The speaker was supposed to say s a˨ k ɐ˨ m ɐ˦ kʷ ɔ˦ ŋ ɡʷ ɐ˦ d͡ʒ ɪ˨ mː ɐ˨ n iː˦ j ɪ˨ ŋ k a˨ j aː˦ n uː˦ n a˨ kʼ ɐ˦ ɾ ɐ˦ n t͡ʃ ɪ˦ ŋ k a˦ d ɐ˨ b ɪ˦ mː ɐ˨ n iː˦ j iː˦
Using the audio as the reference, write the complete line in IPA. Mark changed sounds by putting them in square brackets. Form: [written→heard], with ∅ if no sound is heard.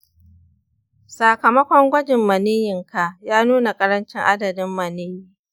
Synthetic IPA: s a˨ k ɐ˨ m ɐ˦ kʷ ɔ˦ ŋ ɡʷ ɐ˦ d͡ʒ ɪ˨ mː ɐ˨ n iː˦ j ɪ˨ ŋ k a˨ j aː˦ n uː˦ n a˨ kʼ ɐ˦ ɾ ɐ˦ n t͡ʃ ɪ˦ ŋ [k→ʔ] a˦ d ɐ˨ [b→d] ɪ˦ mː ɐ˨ n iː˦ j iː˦